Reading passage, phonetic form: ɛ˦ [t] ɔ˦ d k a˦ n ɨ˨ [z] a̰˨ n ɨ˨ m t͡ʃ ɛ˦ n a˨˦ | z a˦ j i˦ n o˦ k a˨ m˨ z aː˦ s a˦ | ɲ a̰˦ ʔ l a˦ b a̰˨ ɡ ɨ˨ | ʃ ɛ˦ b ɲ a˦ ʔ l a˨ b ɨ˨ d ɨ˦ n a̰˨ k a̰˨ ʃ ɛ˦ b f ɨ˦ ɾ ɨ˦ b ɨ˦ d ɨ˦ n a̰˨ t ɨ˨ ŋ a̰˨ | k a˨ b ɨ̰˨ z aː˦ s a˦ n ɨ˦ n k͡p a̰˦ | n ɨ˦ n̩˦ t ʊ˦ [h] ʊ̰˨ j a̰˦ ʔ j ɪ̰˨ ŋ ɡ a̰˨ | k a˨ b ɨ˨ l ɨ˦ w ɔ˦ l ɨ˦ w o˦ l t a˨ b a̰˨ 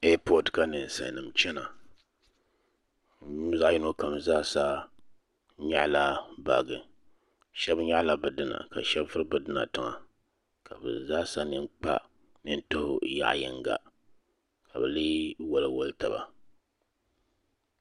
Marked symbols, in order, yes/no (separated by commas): no, no, yes